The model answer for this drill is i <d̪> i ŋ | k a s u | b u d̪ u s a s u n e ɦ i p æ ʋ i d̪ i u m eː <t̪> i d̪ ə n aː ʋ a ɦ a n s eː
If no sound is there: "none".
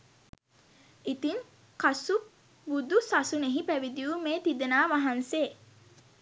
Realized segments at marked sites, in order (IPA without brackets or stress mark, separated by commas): t̪, t̪